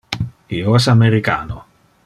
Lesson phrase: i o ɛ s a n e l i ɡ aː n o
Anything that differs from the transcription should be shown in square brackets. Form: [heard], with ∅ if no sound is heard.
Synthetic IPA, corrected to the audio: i o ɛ s a [m] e [ɾ] i [k] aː n o